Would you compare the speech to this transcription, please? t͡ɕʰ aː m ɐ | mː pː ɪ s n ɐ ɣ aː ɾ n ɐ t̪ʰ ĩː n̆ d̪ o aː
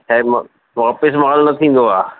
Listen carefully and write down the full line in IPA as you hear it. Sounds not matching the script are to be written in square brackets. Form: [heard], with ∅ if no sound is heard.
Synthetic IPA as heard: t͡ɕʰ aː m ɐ | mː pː ɪ s [m] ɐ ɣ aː [l] n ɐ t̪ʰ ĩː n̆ d̪ o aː

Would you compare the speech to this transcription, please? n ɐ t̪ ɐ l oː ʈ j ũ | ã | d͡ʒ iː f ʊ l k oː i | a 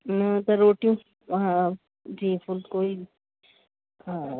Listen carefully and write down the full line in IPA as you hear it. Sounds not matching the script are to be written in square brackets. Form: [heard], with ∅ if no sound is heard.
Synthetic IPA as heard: n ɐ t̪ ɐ [ɾ] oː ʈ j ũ | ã | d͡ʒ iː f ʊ l k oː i | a

